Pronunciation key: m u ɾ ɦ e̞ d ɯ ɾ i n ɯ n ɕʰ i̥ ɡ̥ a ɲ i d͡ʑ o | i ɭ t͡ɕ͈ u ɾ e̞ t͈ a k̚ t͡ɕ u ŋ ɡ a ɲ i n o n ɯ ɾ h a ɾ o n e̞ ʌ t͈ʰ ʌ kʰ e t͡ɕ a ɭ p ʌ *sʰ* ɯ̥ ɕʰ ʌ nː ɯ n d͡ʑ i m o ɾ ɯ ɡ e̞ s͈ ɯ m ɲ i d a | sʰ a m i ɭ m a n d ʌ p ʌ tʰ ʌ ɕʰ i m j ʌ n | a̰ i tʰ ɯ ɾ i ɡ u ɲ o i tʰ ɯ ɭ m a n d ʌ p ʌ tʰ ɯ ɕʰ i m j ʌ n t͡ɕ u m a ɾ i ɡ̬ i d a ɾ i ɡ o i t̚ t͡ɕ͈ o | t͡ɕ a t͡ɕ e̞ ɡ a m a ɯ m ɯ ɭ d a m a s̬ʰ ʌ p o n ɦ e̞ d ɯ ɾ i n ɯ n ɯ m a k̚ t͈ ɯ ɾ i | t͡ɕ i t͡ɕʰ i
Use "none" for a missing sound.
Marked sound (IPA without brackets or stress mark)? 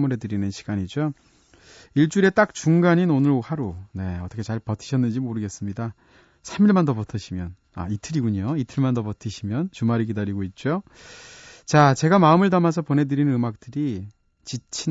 tʰ